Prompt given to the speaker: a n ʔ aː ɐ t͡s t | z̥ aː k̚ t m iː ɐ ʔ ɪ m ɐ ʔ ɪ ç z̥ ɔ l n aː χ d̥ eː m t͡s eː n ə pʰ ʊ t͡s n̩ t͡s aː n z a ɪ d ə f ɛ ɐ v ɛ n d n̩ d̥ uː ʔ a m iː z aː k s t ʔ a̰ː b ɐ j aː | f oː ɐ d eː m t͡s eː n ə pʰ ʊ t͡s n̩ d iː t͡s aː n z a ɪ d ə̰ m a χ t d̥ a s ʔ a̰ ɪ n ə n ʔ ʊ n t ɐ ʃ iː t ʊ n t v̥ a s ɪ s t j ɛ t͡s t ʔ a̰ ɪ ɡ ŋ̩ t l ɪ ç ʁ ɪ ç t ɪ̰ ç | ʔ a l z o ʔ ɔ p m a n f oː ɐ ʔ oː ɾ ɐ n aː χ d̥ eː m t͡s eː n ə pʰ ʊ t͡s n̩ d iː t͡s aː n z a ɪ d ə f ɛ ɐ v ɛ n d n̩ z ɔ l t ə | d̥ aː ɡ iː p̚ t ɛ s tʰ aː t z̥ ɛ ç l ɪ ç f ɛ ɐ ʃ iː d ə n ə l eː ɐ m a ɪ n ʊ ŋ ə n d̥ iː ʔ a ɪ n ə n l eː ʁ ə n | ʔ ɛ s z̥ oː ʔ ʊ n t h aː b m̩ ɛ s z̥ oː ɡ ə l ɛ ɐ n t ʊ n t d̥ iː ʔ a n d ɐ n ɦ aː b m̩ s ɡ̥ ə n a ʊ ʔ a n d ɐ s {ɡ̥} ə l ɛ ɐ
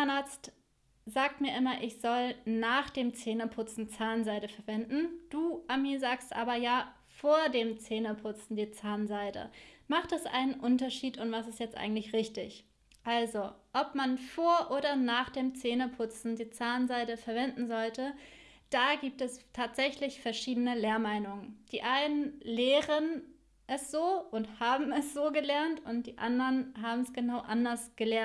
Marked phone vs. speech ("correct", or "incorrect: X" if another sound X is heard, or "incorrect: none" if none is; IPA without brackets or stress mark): correct